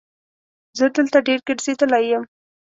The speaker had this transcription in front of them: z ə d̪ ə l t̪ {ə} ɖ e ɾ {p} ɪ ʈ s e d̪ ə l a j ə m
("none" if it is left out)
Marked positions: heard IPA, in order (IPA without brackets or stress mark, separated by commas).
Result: a, k